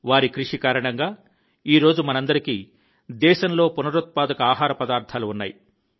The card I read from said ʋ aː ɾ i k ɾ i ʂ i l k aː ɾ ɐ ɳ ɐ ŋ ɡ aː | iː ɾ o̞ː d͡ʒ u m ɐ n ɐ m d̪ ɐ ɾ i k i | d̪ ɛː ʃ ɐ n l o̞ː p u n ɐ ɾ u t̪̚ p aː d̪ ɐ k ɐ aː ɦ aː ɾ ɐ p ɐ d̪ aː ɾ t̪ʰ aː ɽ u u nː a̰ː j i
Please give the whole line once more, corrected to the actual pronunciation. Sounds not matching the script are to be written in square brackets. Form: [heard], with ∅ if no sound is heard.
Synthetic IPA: ʋ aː ɾ i k ɾ i ʂ i [∅] k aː ɾ ɐ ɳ ɐ ŋ ɡ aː | iː ɾ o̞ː d͡ʒ u m ɐ n ɐ [n] d̪ ɐ ɾ i k i | d̪ ɛː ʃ ɐ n l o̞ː p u n ɐ ɾ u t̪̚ p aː d̪ ɐ k ɐ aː ɦ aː ɾ ɐ p ɐ d̪ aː ɾ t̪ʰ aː [l] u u nː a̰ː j i